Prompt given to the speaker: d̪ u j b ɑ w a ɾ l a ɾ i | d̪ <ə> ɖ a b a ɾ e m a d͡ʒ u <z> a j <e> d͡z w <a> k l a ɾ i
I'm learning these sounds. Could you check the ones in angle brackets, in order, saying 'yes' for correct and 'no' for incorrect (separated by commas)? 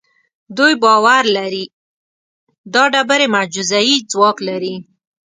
no, yes, no, no